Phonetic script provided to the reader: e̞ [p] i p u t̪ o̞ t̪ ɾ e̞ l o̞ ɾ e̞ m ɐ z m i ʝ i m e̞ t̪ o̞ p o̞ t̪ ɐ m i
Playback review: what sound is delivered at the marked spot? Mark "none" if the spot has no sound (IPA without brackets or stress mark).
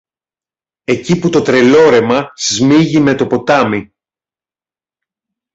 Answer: c